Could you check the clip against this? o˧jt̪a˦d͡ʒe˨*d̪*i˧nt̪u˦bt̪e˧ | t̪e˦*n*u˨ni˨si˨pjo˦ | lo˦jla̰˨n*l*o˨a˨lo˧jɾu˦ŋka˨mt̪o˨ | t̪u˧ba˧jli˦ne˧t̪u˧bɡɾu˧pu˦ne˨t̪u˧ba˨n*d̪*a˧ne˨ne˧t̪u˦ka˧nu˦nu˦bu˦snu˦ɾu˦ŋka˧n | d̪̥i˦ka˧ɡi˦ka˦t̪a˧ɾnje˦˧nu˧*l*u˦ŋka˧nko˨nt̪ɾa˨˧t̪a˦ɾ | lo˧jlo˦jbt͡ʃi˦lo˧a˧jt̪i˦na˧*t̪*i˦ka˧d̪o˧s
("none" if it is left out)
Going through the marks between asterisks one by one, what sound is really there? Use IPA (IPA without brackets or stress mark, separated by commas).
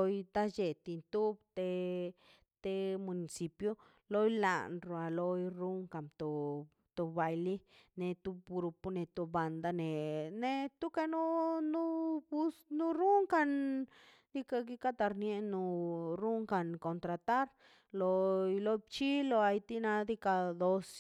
t̪, m, ɾ, d̪, ɾ, d̪